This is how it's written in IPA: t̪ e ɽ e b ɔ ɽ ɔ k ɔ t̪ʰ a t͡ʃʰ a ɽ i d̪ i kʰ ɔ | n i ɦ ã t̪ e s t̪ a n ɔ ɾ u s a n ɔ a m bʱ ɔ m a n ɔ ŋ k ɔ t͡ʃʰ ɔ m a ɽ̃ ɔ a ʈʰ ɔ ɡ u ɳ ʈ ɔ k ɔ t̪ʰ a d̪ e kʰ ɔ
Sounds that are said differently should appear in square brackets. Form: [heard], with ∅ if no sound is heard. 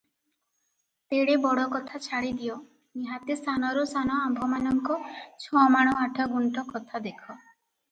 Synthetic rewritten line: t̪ e ɽ e b ɔ ɽ ɔ k ɔ t̪ʰ a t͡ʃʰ a ɽ i d̪ i [∅] ɔ | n i ɦ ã t̪ e s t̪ a n ɔ ɾ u s a n ɔ a m bʱ ɔ m a n ɔ ŋ k ɔ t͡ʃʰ ɔ m a ɽ̃ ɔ a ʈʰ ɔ ɡ u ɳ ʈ ɔ k ɔ t̪ʰ a d̪ e kʰ ɔ

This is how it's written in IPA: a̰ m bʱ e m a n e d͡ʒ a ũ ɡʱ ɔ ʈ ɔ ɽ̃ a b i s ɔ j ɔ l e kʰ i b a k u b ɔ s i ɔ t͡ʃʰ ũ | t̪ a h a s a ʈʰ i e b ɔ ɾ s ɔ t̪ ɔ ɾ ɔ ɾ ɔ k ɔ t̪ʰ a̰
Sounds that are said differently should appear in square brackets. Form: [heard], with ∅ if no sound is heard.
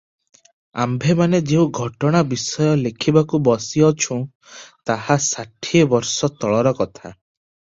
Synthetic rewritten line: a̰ m bʱ e m a n e d͡ʒ [e] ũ ɡʱ ɔ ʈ ɔ ɽ̃ a b i s ɔ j ɔ l e kʰ i b a k u b ɔ s i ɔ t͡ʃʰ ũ | t̪ a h a s a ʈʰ i e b ɔ ɾ s ɔ t̪ ɔ [ɭ] ɔ ɾ ɔ k ɔ t̪ʰ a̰

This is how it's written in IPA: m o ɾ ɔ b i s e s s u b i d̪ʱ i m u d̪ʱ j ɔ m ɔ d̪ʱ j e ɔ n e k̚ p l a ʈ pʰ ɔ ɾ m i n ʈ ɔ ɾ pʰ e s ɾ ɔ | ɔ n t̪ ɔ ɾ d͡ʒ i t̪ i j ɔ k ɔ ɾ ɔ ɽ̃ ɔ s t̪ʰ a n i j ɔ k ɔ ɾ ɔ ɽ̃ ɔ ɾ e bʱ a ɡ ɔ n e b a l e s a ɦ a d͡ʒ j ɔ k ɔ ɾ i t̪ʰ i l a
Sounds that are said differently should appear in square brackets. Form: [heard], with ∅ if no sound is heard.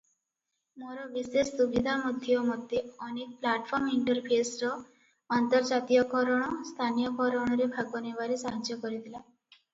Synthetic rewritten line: m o ɾ ɔ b i s e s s u b i d̪ʱ [a] m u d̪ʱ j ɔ m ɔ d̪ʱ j e ɔ n e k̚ p l a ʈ pʰ ɔ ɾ m i [ɳ] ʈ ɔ ɾ pʰ e s ɾ ɔ | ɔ n t̪ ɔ ɾ d͡ʒ [a] t̪ i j ɔ k ɔ ɾ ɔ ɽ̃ ɔ s t̪ʰ a n i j ɔ k ɔ ɾ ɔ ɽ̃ ɔ ɾ e bʱ a ɡ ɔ n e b a [ɾ] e s a ɦ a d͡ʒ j ɔ k ɔ ɾ i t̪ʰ i l a

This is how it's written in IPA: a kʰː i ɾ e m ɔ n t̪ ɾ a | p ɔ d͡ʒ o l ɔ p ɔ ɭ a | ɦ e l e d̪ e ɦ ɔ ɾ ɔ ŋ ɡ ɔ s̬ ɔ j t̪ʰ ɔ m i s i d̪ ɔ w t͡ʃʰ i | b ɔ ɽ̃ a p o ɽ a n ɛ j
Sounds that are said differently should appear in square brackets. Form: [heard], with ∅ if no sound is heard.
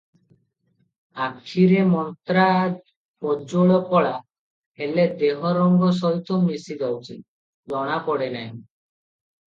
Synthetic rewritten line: a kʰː i ɾ e m ɔ n t̪ ɾ a | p ɔ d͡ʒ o [ɭ] ɔ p ɔ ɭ a | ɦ e l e d̪ e ɦ ɔ ɾ ɔ ŋ ɡ ɔ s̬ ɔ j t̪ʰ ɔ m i s i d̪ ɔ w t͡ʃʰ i | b ɔ ɽ̃ a p [ɔ] ɽ [e] n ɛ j

